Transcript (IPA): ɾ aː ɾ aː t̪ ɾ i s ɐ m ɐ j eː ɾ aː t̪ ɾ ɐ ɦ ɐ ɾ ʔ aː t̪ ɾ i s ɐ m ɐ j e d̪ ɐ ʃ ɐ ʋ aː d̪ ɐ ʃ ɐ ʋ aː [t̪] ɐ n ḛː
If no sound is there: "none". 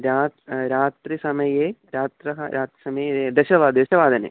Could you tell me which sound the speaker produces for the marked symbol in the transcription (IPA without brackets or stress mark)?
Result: d̪